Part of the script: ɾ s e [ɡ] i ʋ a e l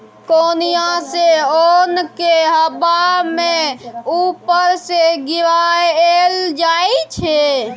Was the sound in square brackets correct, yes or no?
yes